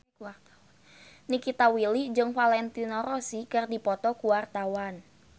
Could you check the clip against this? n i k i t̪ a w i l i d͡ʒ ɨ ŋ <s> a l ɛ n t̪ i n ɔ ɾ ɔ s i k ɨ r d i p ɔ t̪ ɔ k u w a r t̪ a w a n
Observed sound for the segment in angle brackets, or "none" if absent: f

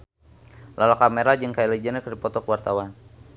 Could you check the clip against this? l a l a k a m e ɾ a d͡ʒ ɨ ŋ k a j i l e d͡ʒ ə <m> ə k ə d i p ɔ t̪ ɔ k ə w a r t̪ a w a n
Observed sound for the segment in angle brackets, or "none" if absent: n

